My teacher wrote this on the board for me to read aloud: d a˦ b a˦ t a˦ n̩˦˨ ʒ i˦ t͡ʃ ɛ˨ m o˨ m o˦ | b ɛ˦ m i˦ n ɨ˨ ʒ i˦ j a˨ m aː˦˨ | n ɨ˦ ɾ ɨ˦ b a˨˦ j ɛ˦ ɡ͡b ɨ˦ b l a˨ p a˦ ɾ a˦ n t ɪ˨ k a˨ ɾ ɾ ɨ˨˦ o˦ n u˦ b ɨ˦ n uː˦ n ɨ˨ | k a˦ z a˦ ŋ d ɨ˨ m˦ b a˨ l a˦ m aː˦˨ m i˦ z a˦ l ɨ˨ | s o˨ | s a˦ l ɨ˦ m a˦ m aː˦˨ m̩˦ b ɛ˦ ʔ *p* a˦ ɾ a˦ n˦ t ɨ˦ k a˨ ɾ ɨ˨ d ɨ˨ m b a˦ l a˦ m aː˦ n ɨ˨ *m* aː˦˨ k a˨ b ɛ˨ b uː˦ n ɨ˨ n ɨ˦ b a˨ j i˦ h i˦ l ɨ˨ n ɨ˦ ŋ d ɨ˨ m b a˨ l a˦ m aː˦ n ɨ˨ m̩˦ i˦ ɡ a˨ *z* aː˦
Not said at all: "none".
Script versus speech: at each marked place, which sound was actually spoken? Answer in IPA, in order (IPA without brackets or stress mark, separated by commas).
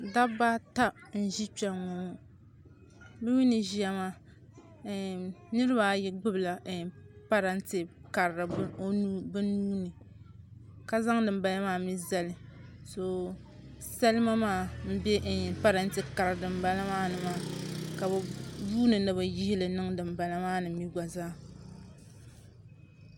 p, m, z